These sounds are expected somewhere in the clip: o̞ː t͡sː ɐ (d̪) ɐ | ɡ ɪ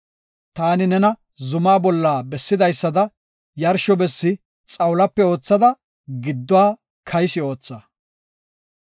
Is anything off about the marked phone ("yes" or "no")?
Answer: no